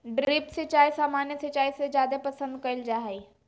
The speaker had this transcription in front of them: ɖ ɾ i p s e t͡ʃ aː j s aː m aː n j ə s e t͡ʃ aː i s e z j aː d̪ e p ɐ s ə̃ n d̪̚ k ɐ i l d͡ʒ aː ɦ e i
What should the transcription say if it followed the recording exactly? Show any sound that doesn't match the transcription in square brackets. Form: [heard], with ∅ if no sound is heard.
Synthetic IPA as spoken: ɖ ɾ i p s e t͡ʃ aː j s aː m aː n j ə s e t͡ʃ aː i s e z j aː d̪ e p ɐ s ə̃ n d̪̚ k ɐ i l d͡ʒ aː ɦ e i